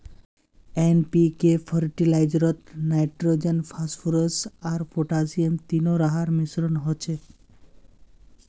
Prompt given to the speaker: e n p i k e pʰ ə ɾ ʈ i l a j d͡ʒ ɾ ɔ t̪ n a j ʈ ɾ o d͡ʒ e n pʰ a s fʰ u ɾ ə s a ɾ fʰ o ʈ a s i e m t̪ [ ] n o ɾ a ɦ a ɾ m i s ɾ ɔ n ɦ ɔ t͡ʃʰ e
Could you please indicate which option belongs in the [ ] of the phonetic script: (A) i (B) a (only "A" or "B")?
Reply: A